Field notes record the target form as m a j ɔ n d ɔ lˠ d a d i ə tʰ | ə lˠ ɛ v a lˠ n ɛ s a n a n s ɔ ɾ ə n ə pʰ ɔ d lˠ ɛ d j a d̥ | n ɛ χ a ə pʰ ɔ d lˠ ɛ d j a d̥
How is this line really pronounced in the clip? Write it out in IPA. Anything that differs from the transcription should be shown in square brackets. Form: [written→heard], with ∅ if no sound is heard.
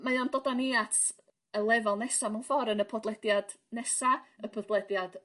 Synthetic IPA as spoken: m a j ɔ n d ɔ [lˠ→∅] d a [d→n] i [ə→a] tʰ | ə lˠ ɛ v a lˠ n ɛ s a [n→m] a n [s→f] ɔ ɾ ə n ə pʰ ɔ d lˠ ɛ d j a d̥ | n ɛ [χ→s] a ə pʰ ɔ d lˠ ɛ d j a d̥